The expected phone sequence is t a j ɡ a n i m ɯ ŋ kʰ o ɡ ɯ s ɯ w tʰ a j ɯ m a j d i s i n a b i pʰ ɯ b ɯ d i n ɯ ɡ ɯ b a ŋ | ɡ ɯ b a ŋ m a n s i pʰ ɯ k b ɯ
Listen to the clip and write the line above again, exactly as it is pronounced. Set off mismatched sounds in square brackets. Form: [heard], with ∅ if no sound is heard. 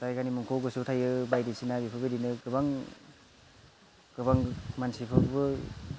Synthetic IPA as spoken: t a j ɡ a n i m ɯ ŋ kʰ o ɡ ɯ s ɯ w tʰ a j ɯ [b] a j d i s i n a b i pʰ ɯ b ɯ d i n ɯ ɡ ɯ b a ŋ | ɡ ɯ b a ŋ m a n s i pʰ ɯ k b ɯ